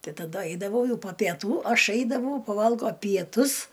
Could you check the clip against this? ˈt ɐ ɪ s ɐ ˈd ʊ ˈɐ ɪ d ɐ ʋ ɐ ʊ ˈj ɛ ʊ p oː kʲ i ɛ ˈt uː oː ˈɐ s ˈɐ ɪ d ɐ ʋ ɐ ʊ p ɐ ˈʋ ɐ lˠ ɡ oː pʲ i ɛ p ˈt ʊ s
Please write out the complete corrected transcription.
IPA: ˈt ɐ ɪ t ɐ ˈd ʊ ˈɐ ɪ d ɐ ʋ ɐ ʊ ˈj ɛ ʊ p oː pʲ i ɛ ˈt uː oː ˈɐ ʃ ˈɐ ɪ d ɐ ʋ ɐ ʊ p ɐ ˈʋ ɐ lˠ ɡ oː pʲ i ɛ ˈt ʊ s

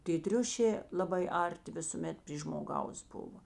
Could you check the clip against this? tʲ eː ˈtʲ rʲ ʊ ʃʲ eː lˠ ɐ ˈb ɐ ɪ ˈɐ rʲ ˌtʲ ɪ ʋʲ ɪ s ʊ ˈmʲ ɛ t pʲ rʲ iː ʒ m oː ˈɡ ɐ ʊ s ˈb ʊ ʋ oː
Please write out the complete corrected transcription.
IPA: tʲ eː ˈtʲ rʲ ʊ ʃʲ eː lˠ ɐ ˈb ɐ ɪ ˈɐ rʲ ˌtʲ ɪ ʋʲ ɪ s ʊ ˈmʲ ɛ t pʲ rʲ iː ʒ m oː ˈɡ ɐ ʊ s ˈb ʊ ʋ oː

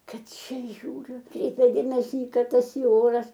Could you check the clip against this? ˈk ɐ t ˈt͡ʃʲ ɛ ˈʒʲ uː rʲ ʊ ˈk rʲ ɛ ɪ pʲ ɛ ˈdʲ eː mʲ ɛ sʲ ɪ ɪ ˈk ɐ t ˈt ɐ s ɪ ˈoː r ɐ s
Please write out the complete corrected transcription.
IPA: ˈk ɐ t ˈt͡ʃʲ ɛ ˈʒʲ uː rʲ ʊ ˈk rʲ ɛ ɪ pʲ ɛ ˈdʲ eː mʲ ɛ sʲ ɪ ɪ ˈk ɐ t ˈt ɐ s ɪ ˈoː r ɐ s

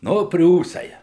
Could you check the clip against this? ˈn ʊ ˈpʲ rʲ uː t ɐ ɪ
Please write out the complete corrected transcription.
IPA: ˈn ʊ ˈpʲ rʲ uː s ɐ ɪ

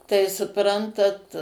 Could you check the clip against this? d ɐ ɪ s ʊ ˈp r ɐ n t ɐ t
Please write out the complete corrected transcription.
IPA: t ɐ ɪ s ʊ ˈp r ɐ n t ɐ t

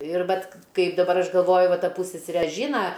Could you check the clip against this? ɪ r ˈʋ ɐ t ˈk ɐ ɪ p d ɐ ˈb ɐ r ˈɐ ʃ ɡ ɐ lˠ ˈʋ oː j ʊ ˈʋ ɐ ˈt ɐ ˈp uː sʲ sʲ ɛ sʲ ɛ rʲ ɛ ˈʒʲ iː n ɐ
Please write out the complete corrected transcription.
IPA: ɪ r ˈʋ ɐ t ˈk ɐ ɪ p d ɐ ˈb ɐ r ˈɐ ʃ ɡ ɐ lˠ ˈʋ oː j ʊ ˈʋ ɐ ˈt ɐ ˈp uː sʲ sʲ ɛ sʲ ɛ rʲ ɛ ˈʒʲ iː n ɐ

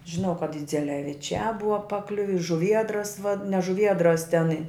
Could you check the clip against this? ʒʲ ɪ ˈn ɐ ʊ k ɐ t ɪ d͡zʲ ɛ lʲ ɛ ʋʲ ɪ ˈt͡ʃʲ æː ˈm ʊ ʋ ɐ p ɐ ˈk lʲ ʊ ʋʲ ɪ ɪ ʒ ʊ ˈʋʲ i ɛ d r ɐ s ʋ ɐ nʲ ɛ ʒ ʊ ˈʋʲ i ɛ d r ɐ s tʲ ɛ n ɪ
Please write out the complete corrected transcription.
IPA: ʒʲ ɪ ˈn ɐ ʊ k ɐ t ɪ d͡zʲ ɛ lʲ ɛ ʋʲ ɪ ˈt͡ʃʲ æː ˈb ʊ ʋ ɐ p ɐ ˈk lʲ ʊ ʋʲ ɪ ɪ ʒ ʊ ˈʋʲ i ɛ d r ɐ s ʋ ɐ nʲ ɛ ʒ ʊ ˈʋʲ i ɛ d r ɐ s tʲ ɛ n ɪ

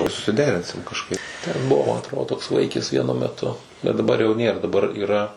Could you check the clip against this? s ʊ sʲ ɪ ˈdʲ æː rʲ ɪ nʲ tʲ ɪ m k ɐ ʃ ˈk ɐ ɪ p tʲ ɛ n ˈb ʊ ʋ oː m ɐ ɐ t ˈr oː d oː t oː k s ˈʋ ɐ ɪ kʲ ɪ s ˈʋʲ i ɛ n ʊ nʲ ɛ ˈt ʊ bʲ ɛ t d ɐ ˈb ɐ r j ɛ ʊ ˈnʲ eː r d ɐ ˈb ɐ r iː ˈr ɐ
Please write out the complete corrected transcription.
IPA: s ʊ sʲ ɪ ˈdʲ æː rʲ ɪ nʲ sʲ ɪ m k ɐ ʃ ˈk ɐ ɪ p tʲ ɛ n ˈb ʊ ʋ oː m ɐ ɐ t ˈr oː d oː t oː k s ˈʋ ɐ ɪ kʲ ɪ s ˈʋʲ i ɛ n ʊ mʲ ɛ ˈt ʊ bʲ ɛ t d ɐ ˈb ɐ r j ɛ ʊ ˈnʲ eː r d ɐ ˈb ɐ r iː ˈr ɐ

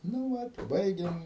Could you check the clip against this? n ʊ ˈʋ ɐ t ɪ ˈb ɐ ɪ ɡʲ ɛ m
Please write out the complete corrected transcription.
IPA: n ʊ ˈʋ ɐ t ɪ ˈb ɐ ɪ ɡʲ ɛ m

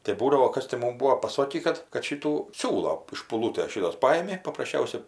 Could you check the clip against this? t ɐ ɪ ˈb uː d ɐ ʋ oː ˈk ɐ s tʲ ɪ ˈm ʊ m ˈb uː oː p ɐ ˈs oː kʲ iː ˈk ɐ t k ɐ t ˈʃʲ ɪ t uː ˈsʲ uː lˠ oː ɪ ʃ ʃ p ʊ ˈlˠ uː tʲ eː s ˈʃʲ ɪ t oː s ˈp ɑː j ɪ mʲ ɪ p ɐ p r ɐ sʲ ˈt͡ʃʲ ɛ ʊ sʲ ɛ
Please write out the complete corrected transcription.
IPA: t ɐ ɪ ˈb uː d ɐ ʋ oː ˈk ɐ s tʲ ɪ ˈm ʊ m ˈb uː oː p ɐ ˈs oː kʲ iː ˈk ɐ t k ɐ t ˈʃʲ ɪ t uː ˈsʲ uː lˠ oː ɪ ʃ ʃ p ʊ ˈlˠ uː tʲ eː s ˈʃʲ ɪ t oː s ˈp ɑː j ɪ mʲ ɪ p ɐ p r ɐ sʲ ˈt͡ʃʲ ɛ ʊ sʲ ɛ

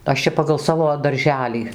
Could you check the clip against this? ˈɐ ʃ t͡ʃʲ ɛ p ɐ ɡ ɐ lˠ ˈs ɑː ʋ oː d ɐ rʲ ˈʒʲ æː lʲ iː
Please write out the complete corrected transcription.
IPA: ˈɐ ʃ t͡ʃʲ ɛ p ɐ ɡ ɐ lˠ ˈs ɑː ʋ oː d ɐ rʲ ˈʒʲ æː lʲ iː

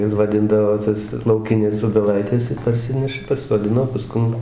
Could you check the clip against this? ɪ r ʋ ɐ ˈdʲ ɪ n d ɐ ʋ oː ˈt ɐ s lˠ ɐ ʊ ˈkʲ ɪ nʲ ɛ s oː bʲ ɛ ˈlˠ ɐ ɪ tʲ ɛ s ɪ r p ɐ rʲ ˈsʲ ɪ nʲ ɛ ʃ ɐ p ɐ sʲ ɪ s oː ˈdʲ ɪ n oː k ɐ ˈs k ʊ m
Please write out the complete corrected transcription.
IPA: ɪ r ʋ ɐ ˈdʲ ɪ n d ɐ ʋ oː ˈt ɐ s lˠ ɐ ʊ ˈkʲ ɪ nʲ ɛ s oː bʲ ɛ ˈlˠ ɐ ɪ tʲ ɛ s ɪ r p ɐ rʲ ˈsʲ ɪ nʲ ɛ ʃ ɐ p ɐ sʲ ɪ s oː ˈdʲ ɪ n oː p ɐ ˈs k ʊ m

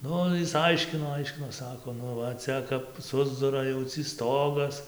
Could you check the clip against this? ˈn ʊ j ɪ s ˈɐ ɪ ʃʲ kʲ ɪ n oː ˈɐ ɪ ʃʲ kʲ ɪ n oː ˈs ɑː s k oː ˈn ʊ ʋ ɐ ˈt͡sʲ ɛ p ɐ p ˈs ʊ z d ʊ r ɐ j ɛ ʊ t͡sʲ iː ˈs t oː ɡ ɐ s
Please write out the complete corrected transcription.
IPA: ˈn ʊ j ɪ s ˈɐ ɪ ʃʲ kʲ ɪ n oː ˈɐ ɪ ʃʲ kʲ ɪ n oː ˈs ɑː k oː ˈn ʊ ʋ ɐ ˈt͡sʲ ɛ k ɐ p ˈs ʊ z d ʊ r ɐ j ɛ ʊ t͡sʲ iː ˈs t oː ɡ ɐ s

